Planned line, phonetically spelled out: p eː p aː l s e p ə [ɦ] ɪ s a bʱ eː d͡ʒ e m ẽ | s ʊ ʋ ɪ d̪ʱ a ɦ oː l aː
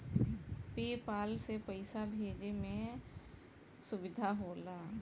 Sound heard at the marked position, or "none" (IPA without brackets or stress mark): none